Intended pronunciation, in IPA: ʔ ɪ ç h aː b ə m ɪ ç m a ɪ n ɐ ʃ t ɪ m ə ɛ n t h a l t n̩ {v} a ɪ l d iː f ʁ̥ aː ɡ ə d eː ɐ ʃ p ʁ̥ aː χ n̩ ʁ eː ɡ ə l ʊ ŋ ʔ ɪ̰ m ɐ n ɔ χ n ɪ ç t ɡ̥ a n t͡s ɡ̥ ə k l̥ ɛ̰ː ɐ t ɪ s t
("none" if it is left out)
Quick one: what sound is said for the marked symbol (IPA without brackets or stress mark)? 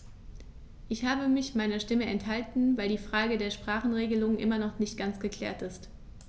v